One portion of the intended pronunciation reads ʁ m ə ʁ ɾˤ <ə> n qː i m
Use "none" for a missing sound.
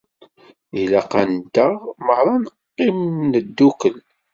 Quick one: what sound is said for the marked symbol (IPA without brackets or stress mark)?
ɑ